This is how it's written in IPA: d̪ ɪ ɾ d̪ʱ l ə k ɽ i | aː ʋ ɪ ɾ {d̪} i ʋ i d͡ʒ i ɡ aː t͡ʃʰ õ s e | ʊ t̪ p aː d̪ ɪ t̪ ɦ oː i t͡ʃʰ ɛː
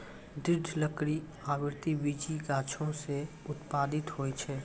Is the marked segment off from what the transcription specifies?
yes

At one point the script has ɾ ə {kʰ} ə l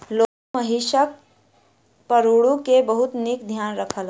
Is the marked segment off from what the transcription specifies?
no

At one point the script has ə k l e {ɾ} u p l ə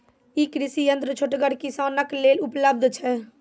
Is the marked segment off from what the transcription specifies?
yes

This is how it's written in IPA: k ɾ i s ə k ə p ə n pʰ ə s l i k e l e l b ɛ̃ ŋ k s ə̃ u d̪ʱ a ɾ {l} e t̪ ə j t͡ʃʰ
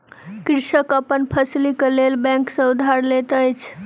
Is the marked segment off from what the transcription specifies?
no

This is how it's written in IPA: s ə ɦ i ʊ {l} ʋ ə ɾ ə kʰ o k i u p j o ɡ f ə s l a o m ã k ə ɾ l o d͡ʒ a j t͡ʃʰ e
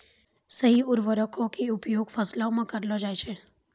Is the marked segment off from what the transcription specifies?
yes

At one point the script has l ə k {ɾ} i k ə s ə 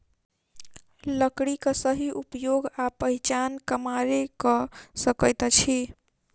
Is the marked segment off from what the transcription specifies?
yes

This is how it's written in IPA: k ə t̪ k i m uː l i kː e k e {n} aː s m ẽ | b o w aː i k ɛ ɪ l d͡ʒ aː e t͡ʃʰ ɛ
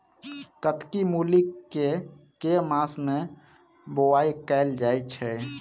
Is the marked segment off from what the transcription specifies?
yes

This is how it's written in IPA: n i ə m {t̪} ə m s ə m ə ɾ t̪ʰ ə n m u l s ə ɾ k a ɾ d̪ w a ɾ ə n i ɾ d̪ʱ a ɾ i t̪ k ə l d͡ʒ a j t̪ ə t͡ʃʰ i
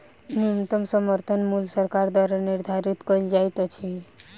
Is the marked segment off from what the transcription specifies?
no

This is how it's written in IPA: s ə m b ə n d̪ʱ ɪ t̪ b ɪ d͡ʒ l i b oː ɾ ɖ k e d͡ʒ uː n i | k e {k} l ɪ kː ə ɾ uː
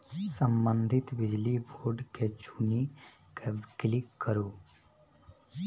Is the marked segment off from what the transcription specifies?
no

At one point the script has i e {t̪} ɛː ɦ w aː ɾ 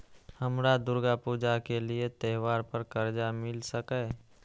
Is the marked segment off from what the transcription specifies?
no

